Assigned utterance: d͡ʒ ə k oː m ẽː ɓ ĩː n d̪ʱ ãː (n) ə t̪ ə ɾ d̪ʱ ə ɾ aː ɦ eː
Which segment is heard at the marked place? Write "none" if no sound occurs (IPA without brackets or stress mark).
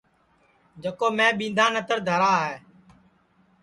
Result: n